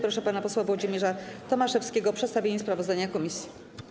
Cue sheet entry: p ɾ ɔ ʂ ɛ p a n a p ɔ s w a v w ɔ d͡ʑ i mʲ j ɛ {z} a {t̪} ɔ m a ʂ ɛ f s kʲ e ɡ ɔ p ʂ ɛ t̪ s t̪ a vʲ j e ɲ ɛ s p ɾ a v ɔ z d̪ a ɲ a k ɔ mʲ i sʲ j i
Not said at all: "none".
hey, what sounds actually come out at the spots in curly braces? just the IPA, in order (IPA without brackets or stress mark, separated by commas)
ʐ, t̪